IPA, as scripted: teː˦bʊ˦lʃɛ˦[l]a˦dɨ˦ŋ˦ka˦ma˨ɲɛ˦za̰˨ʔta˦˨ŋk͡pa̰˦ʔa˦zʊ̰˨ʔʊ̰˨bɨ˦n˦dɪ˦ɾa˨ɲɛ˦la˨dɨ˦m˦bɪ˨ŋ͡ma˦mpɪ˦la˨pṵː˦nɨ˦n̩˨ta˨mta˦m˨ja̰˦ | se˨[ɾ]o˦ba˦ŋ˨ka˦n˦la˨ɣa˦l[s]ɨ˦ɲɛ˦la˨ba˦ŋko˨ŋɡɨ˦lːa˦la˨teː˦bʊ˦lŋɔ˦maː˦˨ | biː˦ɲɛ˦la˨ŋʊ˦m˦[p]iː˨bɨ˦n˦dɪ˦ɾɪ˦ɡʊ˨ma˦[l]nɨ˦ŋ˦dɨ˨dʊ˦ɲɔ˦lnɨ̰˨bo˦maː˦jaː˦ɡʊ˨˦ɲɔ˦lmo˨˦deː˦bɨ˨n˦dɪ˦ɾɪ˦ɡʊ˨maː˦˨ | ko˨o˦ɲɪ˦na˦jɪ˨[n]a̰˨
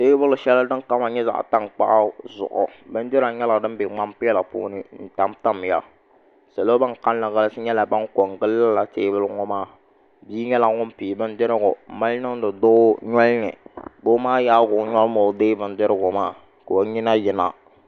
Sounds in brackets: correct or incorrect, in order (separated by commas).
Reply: correct, incorrect, correct, correct, correct, correct